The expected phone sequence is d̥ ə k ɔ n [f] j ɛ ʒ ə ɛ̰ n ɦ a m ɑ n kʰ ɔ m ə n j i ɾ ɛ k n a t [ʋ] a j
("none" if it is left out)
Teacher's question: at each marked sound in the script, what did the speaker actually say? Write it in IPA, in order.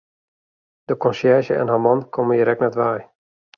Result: s, ʋ

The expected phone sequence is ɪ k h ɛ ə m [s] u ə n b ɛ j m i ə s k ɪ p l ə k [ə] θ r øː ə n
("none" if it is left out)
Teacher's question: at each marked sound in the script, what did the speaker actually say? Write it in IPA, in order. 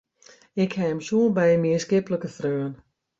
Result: s, ə

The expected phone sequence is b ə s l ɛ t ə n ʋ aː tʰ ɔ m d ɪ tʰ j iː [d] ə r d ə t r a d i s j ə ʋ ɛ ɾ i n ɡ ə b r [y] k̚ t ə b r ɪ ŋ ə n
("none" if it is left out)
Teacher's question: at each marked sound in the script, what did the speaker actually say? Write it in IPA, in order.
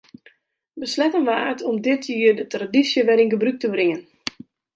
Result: none, y

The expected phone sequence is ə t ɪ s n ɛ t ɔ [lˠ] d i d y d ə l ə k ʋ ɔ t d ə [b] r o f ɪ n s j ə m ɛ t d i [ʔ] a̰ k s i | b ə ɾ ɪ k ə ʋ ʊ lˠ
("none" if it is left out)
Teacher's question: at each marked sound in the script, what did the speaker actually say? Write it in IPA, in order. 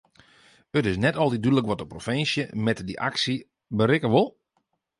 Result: lˠ, p, ʔ

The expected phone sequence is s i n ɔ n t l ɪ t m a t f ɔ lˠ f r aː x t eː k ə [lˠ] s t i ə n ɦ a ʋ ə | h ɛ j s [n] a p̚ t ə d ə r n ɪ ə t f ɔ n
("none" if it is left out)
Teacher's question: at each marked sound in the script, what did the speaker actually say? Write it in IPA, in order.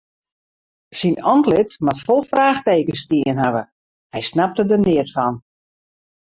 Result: none, n

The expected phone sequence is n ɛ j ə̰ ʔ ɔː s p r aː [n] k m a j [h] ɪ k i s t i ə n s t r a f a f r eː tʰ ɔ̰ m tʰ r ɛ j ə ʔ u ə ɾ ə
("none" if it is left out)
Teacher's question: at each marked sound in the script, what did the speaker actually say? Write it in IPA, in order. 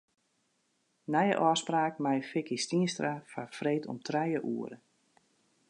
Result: none, f

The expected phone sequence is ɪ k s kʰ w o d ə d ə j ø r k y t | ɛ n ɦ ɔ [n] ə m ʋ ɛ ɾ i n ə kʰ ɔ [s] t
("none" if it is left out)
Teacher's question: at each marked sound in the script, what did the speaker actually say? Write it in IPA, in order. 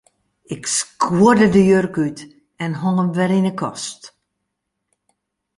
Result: ŋ, s

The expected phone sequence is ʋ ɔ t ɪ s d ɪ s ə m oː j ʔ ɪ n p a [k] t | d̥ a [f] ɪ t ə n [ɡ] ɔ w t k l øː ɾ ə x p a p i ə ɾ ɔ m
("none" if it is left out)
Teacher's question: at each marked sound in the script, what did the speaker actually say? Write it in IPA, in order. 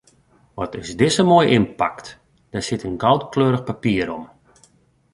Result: k, s, ɡ

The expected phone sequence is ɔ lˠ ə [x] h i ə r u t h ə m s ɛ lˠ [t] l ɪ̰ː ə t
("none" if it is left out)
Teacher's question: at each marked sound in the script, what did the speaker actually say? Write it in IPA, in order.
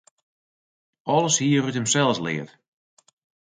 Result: s, s

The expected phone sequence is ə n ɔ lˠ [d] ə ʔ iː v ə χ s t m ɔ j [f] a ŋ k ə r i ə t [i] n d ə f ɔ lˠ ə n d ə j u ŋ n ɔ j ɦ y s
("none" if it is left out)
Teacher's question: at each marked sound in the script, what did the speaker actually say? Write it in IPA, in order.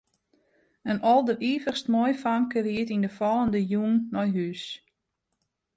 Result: d, f, i

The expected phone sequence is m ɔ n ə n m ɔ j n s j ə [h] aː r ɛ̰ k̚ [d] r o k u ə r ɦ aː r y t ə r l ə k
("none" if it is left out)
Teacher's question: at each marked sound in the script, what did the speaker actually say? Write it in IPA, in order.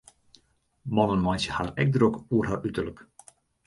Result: h, d

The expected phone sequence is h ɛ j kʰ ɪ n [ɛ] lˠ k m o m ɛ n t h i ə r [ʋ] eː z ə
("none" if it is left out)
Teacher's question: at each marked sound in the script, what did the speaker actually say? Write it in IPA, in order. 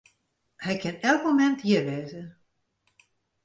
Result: ɛ, ʋ

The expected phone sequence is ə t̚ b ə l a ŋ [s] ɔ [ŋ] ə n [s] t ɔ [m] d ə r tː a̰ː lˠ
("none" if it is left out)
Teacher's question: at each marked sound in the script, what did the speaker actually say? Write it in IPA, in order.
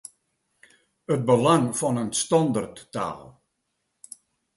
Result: f, n, s, n

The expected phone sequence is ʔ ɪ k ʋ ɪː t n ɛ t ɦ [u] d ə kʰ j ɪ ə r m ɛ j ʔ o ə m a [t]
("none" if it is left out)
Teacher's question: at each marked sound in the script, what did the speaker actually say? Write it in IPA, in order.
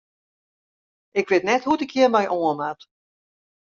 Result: u, t

